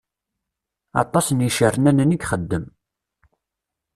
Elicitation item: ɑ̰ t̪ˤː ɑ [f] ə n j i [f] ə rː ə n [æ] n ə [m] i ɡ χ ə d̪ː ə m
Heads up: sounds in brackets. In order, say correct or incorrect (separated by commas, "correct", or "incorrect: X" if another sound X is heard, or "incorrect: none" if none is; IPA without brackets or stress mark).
incorrect: s, incorrect: ʃ, correct, incorrect: n